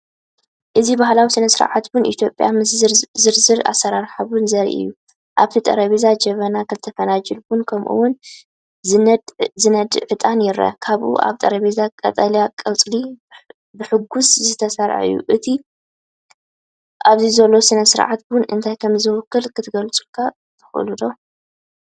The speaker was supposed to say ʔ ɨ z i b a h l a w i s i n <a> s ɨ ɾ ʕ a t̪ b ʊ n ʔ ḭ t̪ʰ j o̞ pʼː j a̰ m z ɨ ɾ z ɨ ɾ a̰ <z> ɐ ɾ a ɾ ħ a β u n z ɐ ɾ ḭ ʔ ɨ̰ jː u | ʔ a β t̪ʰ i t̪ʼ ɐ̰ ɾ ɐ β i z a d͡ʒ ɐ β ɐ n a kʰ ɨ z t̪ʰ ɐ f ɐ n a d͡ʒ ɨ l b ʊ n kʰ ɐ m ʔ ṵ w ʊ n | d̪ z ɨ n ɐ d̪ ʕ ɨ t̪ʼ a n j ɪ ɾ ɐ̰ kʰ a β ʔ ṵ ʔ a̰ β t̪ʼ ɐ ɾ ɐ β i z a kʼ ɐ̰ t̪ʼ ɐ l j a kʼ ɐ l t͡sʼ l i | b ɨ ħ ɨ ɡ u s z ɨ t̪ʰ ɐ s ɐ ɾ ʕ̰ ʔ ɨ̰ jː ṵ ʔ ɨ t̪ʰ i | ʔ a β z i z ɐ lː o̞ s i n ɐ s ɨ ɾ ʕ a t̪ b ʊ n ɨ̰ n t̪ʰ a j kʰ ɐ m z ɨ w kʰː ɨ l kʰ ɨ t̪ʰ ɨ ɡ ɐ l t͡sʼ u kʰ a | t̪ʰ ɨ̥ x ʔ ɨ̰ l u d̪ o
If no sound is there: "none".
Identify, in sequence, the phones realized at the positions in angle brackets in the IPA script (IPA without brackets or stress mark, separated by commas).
ɐ, s